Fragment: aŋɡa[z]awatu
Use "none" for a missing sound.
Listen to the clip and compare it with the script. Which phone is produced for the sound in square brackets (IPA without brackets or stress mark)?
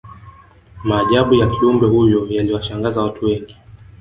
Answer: z